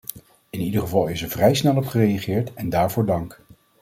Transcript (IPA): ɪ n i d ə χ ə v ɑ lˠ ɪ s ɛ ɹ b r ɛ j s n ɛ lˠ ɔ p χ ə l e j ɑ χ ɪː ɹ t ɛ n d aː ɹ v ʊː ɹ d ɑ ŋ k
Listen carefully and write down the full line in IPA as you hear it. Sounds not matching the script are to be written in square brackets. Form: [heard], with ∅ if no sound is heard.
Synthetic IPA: ɪ n i d ə χ ə v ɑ lˠ ɪ s ɛ ɹ [v] r ɛ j s n ɛ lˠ ɔ p χ ə [r] e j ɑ χ ɪː ɹ t ɛ n d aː ɹ v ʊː ɹ d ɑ ŋ k